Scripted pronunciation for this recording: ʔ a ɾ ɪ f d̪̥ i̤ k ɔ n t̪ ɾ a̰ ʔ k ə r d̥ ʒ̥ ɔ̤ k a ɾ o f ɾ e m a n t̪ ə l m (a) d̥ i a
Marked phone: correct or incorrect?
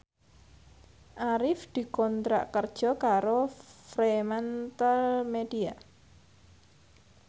incorrect